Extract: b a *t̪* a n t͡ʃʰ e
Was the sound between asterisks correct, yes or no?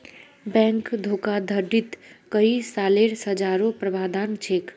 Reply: no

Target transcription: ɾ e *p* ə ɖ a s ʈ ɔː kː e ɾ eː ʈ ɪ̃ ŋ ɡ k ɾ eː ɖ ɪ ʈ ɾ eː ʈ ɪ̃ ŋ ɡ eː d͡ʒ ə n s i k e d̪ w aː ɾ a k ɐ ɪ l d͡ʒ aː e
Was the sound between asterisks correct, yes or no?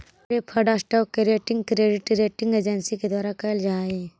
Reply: no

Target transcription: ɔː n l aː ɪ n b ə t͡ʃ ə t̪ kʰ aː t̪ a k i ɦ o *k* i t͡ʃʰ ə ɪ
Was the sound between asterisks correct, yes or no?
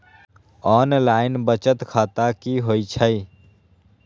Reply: no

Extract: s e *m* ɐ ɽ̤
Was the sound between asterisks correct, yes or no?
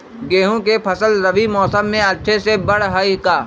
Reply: no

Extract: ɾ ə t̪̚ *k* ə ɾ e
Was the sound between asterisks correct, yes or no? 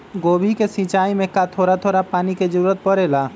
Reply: no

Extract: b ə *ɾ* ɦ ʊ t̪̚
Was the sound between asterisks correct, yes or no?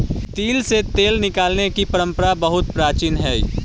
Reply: no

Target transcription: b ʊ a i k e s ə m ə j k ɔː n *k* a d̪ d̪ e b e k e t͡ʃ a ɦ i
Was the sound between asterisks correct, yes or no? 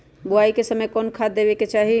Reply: no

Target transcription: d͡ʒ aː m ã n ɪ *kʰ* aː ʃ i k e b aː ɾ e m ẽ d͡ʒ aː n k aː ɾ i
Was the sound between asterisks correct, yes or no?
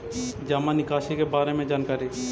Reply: no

